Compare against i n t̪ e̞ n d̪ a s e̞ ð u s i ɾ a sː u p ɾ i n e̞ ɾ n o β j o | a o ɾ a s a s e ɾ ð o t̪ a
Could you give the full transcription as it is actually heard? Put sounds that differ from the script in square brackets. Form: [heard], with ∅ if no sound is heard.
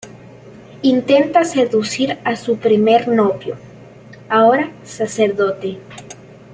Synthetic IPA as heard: i n t̪ e̞ n [t̪] a s e̞ ð u s i ɾ a [s] u p ɾ i [m] e̞ ɾ n o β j o | a o ɾ a s a s e ɾ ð o t̪ [e]